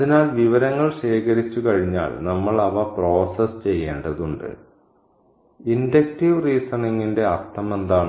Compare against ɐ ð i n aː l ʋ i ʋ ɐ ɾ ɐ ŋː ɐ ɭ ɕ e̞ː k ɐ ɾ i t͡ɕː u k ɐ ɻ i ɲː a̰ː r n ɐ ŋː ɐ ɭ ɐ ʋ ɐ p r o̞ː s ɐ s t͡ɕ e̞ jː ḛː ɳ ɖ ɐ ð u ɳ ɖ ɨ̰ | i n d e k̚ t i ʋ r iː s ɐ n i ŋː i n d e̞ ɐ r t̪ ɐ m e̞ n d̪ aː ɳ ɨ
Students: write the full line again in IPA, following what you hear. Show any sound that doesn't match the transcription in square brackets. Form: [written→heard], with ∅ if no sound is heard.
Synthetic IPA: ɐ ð i n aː l ʋ i ʋ ɐ ɾ ɐ ŋː ɐ ɭ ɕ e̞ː k ɐ ɾ i t͡ɕː u k ɐ ɻ i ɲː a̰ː [r→l] n ɐ [ŋː→mː] ɐ ɭ ɐ ʋ ɐ p r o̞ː s ɐ s t͡ɕ e̞ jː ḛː ɳ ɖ ɐ ð u ɳ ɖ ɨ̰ | i n d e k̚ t i ʋ r iː s ɐ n i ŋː i n d e̞ ɐ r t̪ ɐ m e̞ n d̪ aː ɳ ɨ